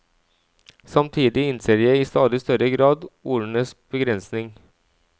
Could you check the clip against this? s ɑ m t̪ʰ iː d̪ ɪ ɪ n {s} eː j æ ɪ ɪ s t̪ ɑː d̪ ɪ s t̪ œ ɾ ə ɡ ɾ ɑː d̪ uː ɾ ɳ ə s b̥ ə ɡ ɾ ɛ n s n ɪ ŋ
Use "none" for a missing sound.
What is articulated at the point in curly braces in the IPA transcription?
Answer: s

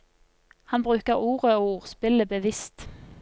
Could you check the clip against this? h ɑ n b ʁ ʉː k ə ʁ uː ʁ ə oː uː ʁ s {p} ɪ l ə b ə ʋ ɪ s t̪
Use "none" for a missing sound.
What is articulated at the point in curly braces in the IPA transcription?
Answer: p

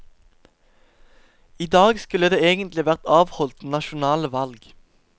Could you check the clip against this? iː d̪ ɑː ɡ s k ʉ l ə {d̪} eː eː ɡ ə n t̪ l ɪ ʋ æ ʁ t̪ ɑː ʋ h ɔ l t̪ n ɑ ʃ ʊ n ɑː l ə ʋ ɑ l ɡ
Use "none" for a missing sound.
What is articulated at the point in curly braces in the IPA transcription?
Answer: d̪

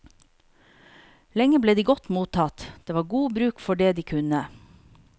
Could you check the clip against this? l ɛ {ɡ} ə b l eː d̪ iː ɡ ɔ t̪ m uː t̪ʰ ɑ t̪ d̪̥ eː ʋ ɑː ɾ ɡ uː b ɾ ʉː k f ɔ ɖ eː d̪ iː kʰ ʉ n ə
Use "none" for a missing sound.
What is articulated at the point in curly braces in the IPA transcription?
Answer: ŋ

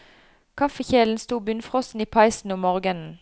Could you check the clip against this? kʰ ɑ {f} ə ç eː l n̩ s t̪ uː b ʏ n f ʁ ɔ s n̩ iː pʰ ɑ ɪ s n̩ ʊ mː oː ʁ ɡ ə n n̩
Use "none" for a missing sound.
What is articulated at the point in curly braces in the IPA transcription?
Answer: f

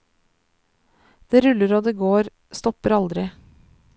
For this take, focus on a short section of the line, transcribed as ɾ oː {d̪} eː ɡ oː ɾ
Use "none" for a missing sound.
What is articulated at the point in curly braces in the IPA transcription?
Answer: d̪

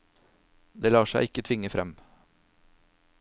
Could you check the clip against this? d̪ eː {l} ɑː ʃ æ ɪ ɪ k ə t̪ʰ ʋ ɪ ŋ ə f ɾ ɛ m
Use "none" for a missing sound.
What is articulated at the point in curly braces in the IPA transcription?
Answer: l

